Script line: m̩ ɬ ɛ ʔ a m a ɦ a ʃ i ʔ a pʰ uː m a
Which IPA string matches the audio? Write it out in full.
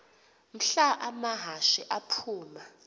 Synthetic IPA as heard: m̩ ɬ a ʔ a m a ɦ a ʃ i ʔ a pʰ uː m a